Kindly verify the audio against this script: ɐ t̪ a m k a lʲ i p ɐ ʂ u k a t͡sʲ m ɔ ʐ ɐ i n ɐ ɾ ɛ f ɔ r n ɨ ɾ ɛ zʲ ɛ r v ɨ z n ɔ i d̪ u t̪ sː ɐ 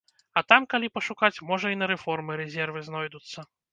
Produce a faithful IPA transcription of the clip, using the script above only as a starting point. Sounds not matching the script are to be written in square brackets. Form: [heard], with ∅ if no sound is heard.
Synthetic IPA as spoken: ɐ t̪ a m k a lʲ i p ɐ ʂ u k a t͡sʲ m ɔ ʐ ɐ i n ɐ ɾ ɛ f ɔ r [m] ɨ ɾ ɛ zʲ ɛ r v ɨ z n ɔ [j] d̪ u t̪ sː ɐ